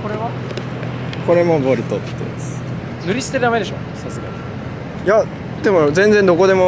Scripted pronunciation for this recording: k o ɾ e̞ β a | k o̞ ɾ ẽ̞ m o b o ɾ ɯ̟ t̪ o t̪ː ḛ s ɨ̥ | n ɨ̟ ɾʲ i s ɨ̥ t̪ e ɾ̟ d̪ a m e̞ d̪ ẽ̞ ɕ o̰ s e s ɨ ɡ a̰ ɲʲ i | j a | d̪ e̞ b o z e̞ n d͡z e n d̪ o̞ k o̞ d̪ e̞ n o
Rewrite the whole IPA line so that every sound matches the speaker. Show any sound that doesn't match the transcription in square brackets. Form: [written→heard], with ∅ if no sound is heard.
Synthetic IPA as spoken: k o ɾ e̞ β a | k o̞ ɾ [ẽ̞→e̞] m o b o ɾ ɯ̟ t̪ o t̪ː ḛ s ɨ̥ | n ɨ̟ ɾʲ i s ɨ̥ t̪ e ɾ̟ d̪ a m e̞ d̪ [ẽ̞→e̞] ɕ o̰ s [e→a] s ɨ ɡ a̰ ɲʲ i | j a | d̪ e̞ [b→m] o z [e̞→ẽ̞] n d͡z e n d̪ o̞ k o̞ d̪ e̞ [n→m] o